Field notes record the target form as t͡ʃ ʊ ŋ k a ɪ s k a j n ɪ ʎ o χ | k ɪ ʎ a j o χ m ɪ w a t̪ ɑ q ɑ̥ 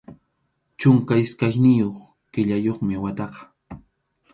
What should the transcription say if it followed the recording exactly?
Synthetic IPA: t͡ʃ ʊ ŋ k a ɪ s k a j n ɪ j o χ | k ɪ ʎ a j o χ m ɪ w a t̪ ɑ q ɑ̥